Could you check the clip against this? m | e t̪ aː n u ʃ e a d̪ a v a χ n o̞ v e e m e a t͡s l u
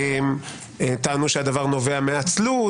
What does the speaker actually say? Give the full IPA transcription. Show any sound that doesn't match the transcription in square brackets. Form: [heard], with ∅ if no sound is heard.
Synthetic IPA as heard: m | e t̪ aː n u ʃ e a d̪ a v a [ʁ] n o̞ v e [a] m e a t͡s l u